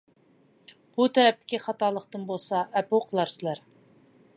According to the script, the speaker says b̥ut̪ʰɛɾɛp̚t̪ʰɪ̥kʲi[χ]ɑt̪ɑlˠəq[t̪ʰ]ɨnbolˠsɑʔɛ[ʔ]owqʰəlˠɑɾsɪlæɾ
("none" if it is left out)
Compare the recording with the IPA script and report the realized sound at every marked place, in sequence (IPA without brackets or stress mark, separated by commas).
χ, t̪, p